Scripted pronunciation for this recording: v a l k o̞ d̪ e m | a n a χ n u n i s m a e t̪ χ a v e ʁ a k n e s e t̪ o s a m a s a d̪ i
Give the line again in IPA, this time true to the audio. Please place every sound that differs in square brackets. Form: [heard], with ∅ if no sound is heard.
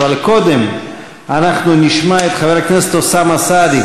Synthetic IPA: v a l k o̞ d̪ e m | a n a χ n u n i [ʃ] m a e t̪ χ a v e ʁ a k n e s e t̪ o s a m a s a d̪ i

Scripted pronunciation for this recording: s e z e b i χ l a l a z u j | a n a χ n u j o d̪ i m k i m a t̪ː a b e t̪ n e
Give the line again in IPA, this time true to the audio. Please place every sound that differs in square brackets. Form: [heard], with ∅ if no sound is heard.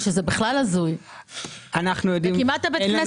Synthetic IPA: [ʃ] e z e b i χ l a l a z u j | a n a χ n u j o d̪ i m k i m a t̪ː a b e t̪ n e

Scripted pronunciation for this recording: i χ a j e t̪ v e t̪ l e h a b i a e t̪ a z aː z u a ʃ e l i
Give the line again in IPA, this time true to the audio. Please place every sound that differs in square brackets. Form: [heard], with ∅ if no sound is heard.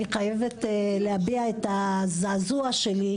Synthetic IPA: i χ a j e [∅] v e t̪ l e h a b i a e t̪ a z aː z u a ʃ e l i

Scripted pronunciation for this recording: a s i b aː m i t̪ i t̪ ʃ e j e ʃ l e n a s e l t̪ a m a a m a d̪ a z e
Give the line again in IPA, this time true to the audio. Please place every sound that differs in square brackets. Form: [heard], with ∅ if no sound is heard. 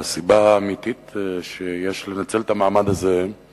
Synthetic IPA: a s i b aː m i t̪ i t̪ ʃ e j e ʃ l e n a [t͡s] e l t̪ a m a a m a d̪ a z e

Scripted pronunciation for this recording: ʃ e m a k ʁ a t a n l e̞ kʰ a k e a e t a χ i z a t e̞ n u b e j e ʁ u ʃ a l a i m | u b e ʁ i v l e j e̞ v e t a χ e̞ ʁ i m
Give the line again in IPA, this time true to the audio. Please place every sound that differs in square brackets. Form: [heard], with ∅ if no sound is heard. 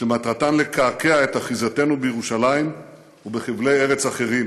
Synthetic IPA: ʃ e m a [t] ʁ a t a n l e̞ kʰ a k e a e t a χ i z a t e̞ n u b e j e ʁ u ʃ a l a i m | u b e [χ] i v l e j e̞ [ʁ] e [t͡s] a χ e̞ ʁ i m

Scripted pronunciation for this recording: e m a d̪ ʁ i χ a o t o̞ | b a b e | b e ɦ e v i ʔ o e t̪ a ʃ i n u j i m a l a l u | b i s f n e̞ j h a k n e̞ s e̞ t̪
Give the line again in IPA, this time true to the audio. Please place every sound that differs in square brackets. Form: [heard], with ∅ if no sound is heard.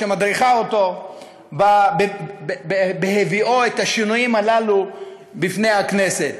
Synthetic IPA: e m a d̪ ʁ i χ a o t o̞ | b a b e | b e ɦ e v i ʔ o e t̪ a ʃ i n u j i m a l a l u | b i [∅] f n e̞ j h a k n e̞ s e̞ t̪

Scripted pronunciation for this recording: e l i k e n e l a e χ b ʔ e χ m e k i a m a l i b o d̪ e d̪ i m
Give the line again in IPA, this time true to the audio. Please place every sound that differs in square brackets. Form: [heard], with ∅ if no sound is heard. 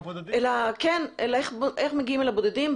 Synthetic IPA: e l [a] k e n e l a e χ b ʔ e χ m e [ɡ] i [i] m [e] l [a] b o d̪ e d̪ i m

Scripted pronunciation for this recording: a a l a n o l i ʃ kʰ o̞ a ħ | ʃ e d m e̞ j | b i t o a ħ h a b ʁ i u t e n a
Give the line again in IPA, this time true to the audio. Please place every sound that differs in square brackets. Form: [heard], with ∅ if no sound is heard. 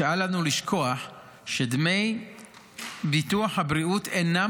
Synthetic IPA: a a l a n [u] l i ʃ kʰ o̞ a ħ | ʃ e d m e̞ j | b i t [u] a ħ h a b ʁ i u t e n a

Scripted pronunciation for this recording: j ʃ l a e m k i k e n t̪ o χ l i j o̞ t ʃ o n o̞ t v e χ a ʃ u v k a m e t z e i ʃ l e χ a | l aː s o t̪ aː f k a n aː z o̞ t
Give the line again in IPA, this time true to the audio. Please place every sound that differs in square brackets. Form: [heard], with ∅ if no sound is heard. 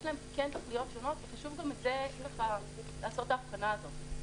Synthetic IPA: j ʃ l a e m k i k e n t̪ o χ l i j o̞ t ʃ o n o̞ t v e χ a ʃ u v [ɡ] a m e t z e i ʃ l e χ a | l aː s o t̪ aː f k a n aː z o̞ t

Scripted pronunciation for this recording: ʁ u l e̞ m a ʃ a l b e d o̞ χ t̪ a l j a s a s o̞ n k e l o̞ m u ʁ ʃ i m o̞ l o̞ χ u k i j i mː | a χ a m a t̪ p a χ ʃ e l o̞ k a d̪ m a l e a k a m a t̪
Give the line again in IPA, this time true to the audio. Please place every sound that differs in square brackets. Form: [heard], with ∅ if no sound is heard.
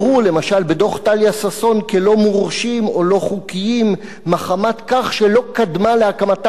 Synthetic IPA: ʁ u l e̞ m a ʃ a l b e d o̞ χ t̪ a l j a s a s o̞ n k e l o̞ m u ʁ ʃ i m o̞ l o̞ χ u k i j i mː | a χ a m a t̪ [k] a χ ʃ e l o̞ k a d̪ m a l e a k a m a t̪

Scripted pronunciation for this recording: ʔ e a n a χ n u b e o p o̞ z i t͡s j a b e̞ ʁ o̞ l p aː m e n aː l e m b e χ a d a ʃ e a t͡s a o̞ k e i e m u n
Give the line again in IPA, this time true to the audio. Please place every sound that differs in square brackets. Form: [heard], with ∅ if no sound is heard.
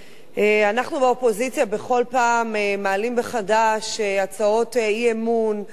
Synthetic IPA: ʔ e a n a χ n u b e o p o̞ z i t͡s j a b e̞ [χ] o̞ l p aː m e [m] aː l [i] m b e χ a d a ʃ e a t͡s a o̞ [t] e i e m u n

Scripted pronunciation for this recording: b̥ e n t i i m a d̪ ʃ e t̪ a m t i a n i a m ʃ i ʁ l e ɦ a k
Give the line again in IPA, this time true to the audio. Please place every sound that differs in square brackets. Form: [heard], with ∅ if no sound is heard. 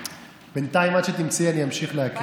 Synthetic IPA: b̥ e n t [a] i m a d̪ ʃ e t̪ [i] m [t͡s] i a n i a m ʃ i [χ] l e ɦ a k

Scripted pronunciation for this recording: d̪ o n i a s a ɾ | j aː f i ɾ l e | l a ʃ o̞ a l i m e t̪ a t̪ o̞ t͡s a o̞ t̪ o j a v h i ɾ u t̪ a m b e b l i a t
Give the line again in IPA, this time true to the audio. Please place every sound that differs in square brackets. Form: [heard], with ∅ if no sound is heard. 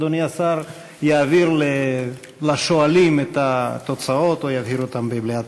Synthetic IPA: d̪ o n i a s a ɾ | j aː [v] i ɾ l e | l a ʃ o̞ a l i m e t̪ a t̪ o̞ t͡s a o̞ t̪ o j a v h i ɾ [o] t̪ a m b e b l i a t

